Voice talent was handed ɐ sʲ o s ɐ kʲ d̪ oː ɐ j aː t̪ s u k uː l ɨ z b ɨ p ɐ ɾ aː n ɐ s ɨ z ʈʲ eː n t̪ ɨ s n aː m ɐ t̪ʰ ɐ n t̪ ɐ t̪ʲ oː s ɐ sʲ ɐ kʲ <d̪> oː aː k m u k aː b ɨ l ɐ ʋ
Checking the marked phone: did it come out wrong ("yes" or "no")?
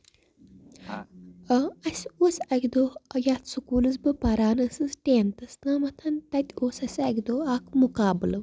no